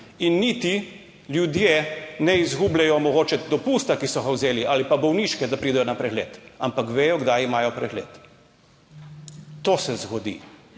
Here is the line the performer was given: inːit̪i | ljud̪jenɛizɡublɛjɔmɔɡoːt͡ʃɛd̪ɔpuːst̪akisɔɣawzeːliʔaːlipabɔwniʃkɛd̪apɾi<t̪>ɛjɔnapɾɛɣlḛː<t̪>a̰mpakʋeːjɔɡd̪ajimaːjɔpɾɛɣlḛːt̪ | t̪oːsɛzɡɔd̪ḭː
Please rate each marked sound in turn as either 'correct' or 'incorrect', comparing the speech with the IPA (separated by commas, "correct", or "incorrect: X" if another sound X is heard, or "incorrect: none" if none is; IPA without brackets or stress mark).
incorrect: d̪, correct